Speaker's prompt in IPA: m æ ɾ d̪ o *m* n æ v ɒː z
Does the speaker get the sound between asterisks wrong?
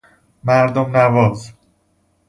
no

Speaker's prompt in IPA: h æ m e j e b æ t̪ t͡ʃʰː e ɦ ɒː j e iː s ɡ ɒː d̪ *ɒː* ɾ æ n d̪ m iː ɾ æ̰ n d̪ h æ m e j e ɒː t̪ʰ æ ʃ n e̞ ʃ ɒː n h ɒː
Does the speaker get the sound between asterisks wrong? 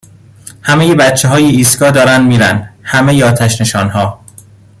no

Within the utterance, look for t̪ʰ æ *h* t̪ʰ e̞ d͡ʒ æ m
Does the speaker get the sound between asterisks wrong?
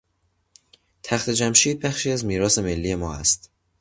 yes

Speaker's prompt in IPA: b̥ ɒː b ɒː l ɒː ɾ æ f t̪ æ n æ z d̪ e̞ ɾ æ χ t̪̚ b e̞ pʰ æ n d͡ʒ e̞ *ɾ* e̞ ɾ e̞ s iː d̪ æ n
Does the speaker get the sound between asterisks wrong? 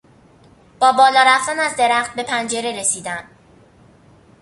no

